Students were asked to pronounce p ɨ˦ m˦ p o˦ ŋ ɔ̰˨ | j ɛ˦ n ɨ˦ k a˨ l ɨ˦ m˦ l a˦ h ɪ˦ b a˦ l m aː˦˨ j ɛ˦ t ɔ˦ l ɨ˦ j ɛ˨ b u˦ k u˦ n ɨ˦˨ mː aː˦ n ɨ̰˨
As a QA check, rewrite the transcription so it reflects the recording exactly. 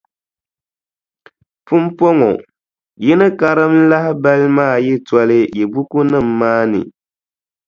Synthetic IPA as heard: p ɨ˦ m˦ p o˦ ŋ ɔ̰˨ | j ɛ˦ n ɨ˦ k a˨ ɾ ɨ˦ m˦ l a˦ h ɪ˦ b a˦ l m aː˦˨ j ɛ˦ t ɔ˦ l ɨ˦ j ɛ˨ b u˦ k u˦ n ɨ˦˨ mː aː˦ n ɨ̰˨